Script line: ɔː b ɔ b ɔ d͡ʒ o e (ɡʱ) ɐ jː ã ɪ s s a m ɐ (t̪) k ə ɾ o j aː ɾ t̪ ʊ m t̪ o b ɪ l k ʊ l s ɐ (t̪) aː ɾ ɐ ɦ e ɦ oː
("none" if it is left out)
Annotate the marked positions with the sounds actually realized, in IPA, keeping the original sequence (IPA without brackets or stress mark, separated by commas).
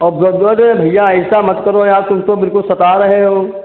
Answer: bʱ, t̪, t̪